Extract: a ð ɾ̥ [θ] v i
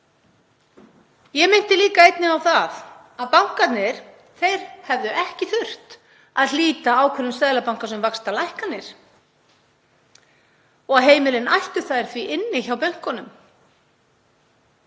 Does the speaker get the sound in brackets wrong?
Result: no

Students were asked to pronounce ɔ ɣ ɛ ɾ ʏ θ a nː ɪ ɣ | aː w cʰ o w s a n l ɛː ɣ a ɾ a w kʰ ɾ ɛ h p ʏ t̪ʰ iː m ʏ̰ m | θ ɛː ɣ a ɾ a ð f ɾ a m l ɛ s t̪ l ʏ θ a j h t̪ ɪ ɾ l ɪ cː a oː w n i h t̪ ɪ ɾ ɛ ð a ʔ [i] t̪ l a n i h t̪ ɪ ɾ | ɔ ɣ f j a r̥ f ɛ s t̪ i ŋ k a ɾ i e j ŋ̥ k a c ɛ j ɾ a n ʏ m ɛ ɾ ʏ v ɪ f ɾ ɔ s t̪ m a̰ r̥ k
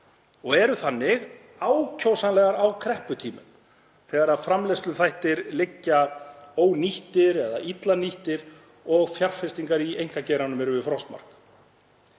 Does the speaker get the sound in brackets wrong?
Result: no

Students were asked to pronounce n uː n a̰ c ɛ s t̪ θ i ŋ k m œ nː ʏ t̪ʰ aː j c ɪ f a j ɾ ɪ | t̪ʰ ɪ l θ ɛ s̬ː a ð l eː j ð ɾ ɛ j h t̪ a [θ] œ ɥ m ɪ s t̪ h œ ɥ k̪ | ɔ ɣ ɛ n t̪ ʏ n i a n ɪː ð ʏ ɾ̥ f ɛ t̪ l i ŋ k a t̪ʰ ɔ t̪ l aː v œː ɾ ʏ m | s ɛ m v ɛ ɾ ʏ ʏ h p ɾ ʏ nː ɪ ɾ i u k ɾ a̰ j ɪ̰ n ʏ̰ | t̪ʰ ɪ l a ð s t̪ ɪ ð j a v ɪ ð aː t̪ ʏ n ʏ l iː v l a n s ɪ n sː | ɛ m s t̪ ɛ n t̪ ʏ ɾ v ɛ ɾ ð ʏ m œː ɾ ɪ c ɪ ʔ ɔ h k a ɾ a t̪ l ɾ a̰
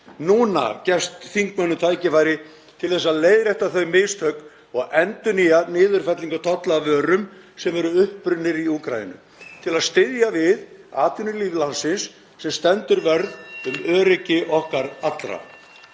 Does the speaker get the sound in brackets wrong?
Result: no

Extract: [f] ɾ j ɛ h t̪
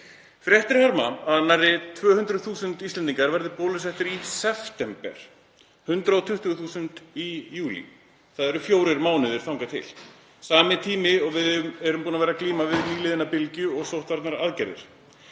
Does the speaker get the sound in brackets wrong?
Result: no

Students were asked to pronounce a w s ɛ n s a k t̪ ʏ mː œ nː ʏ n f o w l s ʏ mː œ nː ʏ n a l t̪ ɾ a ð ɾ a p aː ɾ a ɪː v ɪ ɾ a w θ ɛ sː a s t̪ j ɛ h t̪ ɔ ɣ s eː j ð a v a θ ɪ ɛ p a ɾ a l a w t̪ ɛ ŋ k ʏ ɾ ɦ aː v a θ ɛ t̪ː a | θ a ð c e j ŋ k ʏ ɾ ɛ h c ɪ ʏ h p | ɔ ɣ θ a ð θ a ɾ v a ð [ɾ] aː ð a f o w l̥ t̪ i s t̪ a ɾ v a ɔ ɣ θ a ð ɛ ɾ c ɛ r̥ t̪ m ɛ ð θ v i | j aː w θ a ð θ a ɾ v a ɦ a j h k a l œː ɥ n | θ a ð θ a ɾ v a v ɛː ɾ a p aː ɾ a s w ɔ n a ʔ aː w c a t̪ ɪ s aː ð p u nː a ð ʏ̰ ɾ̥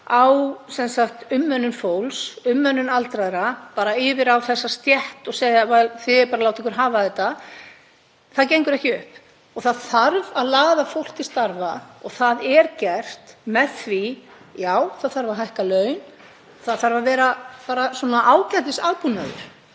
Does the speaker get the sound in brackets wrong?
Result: yes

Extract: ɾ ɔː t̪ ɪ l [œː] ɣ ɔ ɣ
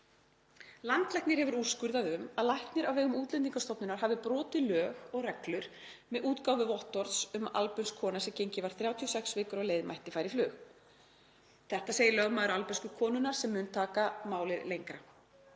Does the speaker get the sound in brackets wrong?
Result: no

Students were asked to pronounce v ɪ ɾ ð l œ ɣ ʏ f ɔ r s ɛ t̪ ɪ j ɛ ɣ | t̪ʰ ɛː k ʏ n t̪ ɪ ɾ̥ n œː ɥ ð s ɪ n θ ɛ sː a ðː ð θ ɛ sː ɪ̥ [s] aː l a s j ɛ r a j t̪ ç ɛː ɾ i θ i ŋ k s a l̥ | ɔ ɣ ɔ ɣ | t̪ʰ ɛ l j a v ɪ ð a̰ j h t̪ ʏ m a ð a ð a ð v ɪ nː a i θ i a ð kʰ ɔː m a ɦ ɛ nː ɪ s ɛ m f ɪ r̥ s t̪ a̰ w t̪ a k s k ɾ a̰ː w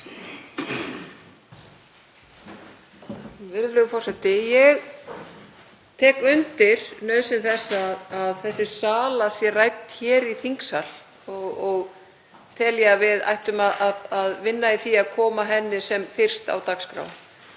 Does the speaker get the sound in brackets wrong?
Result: no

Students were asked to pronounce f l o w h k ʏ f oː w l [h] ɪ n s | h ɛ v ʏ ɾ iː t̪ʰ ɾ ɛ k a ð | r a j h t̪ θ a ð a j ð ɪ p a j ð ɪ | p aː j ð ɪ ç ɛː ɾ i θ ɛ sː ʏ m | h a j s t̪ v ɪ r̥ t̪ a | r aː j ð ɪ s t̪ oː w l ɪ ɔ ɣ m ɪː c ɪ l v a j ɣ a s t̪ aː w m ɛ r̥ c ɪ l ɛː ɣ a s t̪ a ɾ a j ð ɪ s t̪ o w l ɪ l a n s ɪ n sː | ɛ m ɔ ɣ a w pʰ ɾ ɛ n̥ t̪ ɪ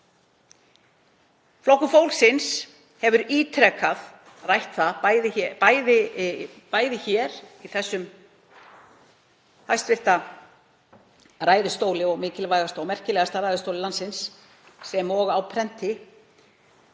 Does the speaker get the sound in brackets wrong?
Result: yes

